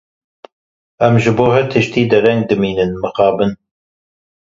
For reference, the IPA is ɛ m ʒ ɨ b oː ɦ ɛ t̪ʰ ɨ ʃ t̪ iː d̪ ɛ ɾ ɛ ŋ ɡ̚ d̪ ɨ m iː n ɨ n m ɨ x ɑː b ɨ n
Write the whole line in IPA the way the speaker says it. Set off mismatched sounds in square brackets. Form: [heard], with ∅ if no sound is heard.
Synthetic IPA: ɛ m ʒ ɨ b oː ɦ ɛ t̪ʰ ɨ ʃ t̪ iː d̪ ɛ ɾ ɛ ŋ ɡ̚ d̪ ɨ m iː n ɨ n m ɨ x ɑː b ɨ n